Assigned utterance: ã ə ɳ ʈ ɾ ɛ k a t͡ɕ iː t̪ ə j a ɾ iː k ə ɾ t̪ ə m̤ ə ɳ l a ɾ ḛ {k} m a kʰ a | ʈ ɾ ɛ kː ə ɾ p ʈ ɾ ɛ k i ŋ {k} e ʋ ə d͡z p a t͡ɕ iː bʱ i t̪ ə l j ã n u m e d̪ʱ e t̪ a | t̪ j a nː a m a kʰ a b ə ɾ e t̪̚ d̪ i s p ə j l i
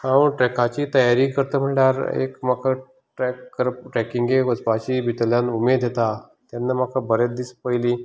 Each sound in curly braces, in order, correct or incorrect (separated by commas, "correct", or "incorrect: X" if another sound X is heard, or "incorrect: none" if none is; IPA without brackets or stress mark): correct, incorrect: ɡ